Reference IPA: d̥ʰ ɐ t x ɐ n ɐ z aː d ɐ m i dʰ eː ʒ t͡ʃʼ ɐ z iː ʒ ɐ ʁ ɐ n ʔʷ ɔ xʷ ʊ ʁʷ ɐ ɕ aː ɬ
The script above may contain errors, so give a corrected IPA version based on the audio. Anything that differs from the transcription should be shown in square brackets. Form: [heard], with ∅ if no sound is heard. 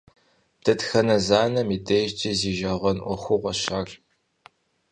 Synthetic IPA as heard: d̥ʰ ɐ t x ɐ n ɐ z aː [n] ɐ m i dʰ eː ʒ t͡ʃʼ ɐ z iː ʒ ɐ ʁ ɐ n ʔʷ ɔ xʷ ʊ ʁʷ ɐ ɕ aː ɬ